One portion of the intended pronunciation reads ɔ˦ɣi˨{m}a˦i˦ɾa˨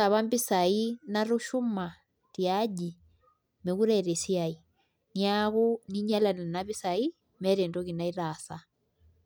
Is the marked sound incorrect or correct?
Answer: incorrect